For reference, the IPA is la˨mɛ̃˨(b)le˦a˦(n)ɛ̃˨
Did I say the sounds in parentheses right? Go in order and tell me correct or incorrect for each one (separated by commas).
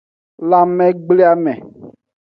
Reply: incorrect, incorrect